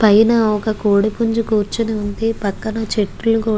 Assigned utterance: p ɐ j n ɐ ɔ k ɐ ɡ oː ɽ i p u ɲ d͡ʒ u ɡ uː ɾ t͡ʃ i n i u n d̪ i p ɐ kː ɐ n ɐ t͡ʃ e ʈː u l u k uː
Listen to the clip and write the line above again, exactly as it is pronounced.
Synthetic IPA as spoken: p ɐ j n ɐ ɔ k ɐ k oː ɽ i p u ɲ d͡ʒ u k uː ɾ t͡ʃ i n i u n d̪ i p ɐ kː ɐ n ɐ t͡ʃ e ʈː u l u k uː